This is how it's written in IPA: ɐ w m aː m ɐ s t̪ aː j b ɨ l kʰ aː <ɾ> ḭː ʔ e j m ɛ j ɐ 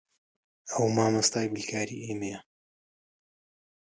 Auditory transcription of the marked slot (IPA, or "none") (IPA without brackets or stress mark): ɾ